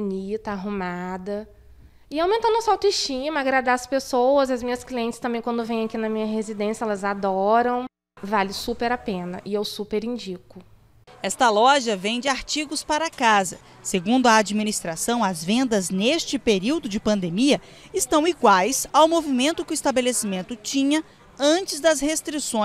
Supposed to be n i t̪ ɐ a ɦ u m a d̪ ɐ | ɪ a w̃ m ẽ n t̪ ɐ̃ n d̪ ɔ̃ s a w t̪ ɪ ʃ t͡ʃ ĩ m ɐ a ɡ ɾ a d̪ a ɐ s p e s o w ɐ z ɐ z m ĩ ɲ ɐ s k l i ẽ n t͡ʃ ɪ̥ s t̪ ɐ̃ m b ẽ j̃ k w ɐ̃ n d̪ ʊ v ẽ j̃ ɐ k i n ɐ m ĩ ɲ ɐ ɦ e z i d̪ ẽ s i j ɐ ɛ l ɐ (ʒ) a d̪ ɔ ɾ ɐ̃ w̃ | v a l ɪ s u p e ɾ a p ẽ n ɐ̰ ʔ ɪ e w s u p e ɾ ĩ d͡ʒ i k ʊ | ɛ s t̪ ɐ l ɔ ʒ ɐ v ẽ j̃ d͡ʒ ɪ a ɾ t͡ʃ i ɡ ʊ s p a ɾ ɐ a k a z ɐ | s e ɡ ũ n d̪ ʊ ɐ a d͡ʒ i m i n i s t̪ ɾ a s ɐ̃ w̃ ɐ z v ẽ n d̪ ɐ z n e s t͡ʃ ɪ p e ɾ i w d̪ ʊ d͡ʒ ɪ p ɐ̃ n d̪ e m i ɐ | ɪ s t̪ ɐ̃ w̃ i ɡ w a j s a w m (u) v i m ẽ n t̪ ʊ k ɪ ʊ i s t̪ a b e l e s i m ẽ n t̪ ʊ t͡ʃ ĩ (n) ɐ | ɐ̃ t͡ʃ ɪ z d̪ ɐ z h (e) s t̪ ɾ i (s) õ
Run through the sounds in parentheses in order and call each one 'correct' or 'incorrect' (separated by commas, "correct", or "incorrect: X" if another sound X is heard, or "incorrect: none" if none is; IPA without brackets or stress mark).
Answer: incorrect: z, incorrect: o, incorrect: ɲ, correct, correct